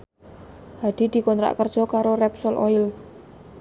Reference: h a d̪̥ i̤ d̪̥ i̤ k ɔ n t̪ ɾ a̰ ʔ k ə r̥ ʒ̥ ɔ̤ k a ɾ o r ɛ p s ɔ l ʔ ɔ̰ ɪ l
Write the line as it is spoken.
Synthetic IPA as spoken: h a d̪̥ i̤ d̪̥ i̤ k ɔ n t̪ ɾ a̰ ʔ k ə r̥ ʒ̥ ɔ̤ k a ɾ o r ɛ p s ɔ l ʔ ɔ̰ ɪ l